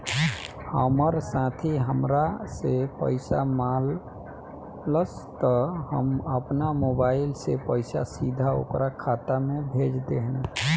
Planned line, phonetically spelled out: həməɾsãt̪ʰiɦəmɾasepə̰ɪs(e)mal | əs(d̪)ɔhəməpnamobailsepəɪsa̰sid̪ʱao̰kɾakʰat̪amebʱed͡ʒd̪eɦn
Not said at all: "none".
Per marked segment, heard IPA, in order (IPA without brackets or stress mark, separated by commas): a, t̪